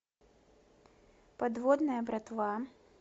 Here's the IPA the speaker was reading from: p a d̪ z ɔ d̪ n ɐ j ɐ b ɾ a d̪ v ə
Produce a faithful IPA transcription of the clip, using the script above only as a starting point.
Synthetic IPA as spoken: p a d̪ v ɔ d̪ n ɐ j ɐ b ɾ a t̪ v a